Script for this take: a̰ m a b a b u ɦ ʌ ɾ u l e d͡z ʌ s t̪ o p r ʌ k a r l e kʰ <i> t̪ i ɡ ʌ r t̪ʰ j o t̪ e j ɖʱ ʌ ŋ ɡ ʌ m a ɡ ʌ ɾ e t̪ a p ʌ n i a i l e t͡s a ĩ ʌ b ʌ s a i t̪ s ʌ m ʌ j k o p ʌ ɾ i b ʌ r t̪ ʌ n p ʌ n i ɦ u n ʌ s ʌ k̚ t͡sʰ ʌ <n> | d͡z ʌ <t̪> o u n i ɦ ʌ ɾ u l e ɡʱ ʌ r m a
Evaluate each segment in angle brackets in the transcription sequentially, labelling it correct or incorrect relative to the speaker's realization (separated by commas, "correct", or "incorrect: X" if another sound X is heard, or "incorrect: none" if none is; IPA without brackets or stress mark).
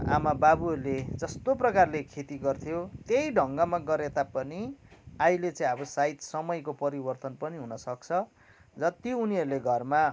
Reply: incorrect: e, incorrect: none, correct